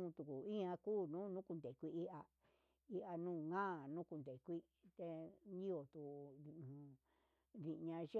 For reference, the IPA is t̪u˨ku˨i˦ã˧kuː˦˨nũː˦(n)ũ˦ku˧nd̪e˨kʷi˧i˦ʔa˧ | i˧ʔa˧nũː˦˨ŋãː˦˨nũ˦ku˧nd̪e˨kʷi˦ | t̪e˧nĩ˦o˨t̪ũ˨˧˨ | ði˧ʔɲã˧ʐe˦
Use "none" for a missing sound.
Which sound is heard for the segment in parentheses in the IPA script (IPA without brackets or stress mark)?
n